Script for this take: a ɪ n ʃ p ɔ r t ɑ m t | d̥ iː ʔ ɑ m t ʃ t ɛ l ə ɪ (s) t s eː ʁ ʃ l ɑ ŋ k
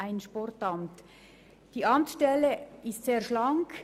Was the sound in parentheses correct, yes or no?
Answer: yes